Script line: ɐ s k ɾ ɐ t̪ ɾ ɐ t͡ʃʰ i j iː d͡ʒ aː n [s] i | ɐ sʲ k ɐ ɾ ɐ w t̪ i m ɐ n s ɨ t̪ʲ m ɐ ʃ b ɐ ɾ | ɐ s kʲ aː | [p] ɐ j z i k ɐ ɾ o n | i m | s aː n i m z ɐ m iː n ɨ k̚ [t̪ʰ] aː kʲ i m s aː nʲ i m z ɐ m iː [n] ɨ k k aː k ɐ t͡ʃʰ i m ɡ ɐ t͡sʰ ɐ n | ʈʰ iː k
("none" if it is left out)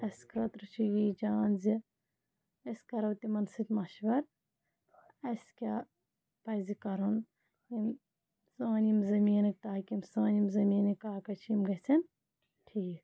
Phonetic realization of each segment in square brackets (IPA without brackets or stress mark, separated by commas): z, p, t̪, n